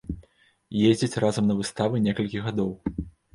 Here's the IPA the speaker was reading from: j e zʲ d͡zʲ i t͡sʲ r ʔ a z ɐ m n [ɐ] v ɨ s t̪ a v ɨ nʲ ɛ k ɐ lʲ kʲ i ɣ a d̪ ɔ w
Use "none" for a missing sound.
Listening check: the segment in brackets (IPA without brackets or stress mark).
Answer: ɐ